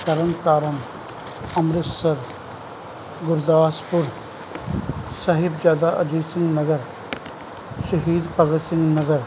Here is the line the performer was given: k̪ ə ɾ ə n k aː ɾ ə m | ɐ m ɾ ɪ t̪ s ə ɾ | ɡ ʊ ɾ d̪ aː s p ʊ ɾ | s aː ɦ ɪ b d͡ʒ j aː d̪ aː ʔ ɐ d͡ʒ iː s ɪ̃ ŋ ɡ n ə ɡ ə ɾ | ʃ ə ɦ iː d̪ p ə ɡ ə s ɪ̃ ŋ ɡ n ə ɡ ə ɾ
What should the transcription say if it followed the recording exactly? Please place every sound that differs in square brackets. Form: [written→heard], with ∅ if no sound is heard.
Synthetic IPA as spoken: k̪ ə ɾ ə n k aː ɾ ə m | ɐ m ɾ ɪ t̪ s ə ɾ | ɡ ʊ ɾ d̪ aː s p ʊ ɾ | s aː ɦ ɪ b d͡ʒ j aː d̪ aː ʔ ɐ d͡ʒ iː s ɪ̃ ŋ ɡ n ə ɡ ə ɾ | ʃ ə ɦ iː d̪ p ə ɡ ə s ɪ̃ ŋ ɡ n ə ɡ ə ɾ